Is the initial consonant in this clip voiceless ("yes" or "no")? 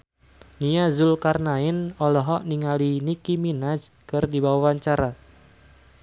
no